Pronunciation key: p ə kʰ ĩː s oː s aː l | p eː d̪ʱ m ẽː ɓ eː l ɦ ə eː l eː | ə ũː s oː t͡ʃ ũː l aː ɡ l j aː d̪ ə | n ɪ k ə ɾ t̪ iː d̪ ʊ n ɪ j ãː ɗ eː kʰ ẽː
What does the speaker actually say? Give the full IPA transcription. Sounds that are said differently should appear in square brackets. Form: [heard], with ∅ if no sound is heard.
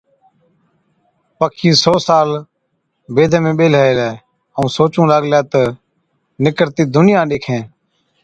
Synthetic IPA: p ə kʰ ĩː s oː s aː l | [b] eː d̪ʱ m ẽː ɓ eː l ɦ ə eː l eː | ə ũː s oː t͡ʃ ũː l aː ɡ l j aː [t̪] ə | n ɪ k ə ɾ t̪ iː d̪ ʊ n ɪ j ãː ɗ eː kʰ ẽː